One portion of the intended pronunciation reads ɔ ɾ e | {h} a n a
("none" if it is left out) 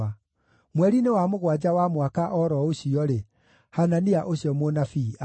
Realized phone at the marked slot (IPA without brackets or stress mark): h